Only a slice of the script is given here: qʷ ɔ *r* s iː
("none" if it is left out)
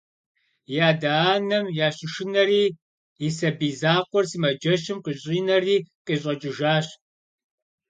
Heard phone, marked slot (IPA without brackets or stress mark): r